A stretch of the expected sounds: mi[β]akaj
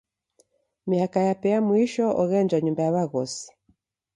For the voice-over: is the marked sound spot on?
no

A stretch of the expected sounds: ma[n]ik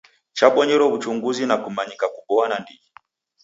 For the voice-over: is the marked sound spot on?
no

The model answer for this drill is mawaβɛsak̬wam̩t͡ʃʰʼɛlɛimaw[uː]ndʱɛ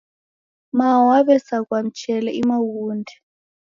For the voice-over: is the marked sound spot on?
yes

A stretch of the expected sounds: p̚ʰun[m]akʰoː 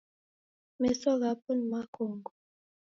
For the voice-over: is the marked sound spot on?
yes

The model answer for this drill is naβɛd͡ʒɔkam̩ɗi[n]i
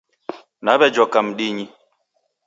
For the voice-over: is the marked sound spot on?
no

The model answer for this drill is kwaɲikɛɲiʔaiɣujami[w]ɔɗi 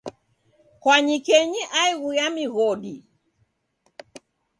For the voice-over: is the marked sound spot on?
no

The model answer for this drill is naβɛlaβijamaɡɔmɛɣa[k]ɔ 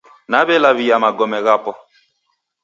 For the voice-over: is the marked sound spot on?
no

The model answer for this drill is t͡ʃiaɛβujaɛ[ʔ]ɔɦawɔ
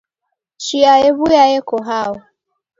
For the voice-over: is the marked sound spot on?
no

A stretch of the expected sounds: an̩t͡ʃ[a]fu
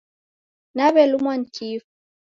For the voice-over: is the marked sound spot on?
no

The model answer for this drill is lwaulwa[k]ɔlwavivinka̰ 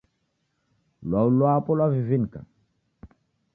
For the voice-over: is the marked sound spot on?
no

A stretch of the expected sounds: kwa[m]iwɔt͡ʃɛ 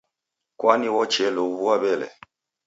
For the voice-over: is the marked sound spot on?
no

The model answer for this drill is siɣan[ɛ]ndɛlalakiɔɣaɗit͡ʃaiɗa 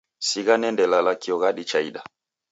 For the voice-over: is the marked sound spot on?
yes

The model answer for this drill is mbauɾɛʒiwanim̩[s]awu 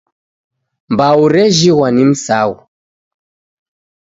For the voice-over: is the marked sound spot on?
yes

